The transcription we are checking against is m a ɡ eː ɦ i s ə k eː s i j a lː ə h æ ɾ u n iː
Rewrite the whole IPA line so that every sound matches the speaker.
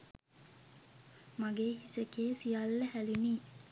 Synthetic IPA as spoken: m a ɡ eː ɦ i s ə k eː s i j a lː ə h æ l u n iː